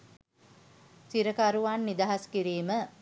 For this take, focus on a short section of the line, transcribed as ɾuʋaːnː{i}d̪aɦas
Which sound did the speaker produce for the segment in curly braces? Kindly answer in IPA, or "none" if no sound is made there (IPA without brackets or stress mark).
i